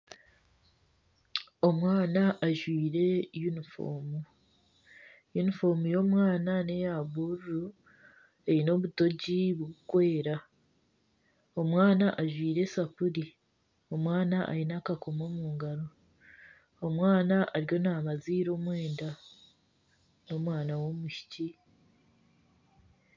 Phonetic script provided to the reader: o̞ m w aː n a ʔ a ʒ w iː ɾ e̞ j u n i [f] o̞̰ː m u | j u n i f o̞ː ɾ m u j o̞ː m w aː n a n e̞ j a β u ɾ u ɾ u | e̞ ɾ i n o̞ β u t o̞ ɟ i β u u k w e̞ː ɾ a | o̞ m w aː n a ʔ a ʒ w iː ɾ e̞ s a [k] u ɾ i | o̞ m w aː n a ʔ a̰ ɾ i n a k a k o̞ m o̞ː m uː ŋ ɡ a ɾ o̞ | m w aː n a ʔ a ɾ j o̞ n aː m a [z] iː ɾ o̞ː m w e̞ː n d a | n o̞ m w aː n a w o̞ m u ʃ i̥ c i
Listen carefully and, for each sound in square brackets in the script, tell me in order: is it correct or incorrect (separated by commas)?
correct, incorrect, correct